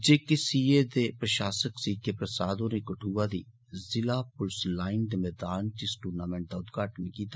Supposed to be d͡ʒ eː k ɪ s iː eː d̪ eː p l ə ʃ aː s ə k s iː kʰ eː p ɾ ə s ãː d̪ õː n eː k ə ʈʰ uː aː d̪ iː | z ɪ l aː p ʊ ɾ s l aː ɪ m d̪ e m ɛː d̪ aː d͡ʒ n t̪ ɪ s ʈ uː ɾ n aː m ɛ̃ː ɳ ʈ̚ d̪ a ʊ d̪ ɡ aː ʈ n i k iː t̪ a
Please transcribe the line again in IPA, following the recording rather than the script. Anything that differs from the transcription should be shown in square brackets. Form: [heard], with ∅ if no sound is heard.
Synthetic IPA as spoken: d͡ʒ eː k ɪ s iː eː d̪ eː p [ɾ] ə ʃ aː s ə k s iː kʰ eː p ɾ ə s [aː] d̪ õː n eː k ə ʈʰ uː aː d̪ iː | z ɪ l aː p ʊ [l] s l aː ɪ [n] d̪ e m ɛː d̪ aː [∅] n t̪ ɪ s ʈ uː ɾ n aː m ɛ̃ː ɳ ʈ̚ d̪ a ʊ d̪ ɡ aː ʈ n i k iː t̪ a